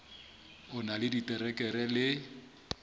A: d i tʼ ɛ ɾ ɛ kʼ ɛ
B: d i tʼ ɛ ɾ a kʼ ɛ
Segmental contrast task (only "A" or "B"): A